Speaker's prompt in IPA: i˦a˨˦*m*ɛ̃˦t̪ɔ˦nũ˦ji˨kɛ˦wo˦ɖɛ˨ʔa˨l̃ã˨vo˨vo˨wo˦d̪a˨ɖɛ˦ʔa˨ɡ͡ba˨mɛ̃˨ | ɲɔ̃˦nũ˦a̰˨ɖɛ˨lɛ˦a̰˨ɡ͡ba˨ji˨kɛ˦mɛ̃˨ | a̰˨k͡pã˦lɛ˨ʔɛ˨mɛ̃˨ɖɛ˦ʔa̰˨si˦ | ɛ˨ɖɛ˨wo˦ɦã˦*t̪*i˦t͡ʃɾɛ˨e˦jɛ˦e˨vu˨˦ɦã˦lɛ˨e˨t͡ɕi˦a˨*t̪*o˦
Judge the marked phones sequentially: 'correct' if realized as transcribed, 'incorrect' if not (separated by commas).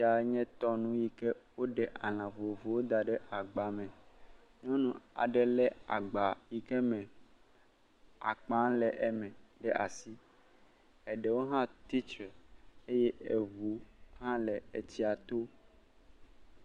incorrect, correct, correct